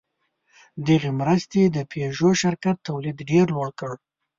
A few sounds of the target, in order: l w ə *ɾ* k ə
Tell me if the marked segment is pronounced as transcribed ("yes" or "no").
no